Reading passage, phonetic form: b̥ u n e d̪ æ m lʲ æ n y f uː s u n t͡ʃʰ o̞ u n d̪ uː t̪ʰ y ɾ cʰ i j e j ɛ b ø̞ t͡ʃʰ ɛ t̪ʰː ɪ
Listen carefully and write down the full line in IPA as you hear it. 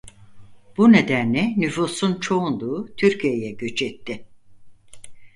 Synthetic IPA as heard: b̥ u n e d̪ æ n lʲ ɛ n y f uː s u n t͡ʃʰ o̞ u n d̪ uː t̪ʰ y ɾ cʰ i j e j ɛ ɟ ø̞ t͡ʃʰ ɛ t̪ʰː ɪ